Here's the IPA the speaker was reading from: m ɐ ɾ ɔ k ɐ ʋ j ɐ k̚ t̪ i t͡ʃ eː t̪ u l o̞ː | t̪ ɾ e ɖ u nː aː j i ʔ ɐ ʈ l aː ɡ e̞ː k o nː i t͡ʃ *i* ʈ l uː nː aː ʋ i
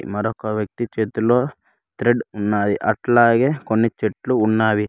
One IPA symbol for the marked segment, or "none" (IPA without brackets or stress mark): e